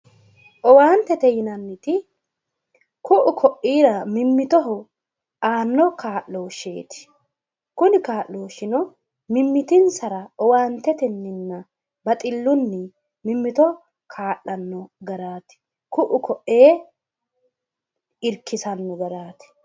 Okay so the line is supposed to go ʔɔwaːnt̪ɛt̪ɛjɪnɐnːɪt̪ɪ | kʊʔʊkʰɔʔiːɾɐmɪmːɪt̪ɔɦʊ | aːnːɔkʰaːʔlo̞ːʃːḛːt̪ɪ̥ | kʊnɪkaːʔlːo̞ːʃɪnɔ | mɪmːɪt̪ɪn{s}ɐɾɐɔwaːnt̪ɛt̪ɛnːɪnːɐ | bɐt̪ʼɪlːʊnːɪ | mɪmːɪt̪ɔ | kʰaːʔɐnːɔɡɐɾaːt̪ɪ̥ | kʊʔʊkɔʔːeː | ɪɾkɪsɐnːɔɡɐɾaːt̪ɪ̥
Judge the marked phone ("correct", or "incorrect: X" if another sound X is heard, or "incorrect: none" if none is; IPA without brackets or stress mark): correct